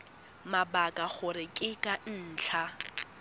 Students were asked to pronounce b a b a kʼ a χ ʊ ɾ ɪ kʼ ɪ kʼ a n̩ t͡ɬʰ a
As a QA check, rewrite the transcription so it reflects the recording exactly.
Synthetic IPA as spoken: m a b a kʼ a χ ʊ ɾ ɪ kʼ ɪ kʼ a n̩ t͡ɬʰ a